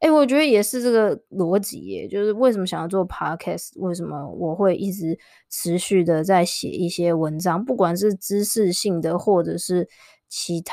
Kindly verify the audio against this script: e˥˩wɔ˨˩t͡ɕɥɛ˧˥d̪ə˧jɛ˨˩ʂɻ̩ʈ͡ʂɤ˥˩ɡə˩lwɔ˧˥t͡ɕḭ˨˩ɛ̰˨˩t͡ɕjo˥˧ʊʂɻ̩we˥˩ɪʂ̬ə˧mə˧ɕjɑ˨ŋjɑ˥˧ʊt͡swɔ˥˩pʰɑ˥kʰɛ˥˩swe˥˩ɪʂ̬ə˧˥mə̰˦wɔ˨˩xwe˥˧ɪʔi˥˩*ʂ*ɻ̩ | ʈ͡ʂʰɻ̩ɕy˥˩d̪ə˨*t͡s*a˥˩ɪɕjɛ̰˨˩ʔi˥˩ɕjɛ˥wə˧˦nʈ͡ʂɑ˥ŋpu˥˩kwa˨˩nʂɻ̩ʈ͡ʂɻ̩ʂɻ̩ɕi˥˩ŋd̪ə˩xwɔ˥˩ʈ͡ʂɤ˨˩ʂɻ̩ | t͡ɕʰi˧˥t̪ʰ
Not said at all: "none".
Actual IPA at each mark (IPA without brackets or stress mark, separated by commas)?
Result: ʈ͡ʂ, t͡s